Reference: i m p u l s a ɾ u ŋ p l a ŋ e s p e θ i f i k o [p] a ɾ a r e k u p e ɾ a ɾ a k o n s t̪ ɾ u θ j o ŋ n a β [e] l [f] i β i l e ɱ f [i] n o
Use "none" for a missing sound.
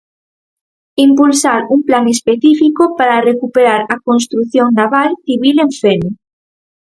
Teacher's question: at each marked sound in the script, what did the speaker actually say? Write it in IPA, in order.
p, a, θ, e

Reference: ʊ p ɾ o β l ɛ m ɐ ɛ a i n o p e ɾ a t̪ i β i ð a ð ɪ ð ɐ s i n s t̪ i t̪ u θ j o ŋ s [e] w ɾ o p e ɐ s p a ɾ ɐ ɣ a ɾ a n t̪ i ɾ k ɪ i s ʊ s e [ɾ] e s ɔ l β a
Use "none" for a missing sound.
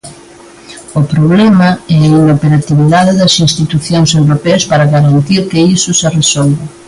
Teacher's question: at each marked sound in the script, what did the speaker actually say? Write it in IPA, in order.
e, r

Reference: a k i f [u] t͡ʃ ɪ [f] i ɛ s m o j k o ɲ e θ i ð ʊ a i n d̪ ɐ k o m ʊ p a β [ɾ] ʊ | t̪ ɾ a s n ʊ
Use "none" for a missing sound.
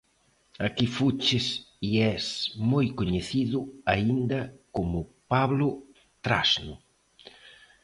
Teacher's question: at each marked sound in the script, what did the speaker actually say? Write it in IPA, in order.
u, s, l

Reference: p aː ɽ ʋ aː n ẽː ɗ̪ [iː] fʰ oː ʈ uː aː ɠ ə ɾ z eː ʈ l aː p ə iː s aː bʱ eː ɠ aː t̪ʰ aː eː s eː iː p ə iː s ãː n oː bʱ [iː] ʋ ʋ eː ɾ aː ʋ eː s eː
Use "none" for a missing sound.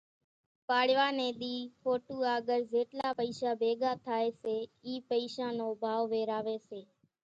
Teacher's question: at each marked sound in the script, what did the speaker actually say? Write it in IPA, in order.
iː, aː

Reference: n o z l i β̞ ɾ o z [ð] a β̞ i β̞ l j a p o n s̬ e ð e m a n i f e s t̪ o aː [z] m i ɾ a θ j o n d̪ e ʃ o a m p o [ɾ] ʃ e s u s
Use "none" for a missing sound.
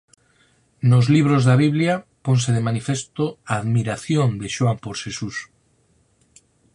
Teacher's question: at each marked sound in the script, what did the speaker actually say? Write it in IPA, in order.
ð, ð, ɾ

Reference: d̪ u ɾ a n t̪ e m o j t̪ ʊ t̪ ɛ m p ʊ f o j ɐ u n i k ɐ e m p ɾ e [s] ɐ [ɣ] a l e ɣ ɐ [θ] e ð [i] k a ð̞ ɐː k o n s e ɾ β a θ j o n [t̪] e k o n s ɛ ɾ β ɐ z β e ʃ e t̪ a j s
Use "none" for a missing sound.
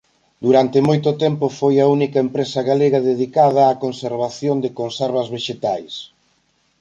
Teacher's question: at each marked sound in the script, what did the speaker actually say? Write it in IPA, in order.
s, ɣ, ð, i, d̪

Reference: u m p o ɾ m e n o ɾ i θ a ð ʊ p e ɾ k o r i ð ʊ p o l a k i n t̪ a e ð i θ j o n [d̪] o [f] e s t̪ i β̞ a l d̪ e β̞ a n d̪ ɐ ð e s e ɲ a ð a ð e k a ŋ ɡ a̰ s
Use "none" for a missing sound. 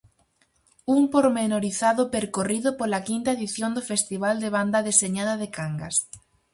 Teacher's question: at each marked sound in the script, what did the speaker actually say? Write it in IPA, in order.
d̪, f

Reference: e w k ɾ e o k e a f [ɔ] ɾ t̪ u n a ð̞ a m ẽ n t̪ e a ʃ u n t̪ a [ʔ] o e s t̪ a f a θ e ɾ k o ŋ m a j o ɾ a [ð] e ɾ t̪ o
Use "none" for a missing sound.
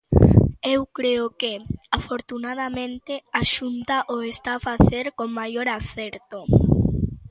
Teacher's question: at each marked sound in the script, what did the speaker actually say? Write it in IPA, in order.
o, ʔ, θ

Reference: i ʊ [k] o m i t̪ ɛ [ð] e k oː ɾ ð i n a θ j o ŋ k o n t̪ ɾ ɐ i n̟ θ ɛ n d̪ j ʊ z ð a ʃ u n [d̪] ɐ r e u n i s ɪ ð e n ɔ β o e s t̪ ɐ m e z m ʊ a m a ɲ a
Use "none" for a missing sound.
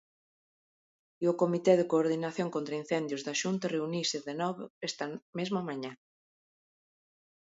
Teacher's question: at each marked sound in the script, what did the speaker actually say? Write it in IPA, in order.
k, ð, t̪

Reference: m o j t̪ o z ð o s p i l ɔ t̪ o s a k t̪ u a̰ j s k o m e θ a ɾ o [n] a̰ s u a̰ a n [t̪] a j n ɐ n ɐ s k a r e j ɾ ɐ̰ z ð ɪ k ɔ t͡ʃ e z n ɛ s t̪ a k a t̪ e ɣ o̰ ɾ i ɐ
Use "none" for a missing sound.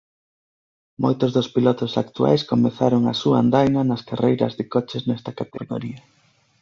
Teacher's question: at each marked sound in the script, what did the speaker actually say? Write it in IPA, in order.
ŋ, d̪

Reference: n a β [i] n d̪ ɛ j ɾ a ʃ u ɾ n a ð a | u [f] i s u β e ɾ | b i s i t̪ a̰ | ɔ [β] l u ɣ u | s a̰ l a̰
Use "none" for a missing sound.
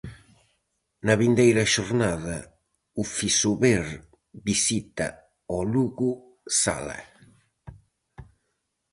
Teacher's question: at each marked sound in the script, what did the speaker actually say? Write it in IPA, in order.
i, f, none

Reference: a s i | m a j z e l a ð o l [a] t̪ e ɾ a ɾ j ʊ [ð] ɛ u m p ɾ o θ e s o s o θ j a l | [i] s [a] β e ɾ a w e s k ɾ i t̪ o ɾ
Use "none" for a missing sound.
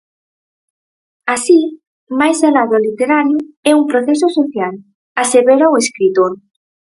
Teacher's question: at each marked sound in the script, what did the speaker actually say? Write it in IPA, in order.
i, none, a, e

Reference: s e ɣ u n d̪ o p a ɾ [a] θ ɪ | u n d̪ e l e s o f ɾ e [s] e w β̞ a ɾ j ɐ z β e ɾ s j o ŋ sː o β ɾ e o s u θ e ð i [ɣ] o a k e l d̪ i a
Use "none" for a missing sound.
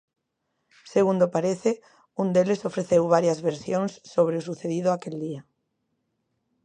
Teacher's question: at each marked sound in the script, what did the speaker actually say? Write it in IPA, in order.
e, θ, ð

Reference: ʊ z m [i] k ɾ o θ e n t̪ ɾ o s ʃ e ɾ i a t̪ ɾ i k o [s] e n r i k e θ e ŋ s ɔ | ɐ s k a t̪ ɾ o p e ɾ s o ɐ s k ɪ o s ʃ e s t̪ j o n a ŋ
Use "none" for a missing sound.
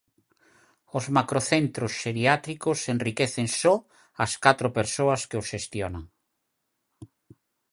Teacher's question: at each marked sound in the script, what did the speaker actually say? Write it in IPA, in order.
a, s

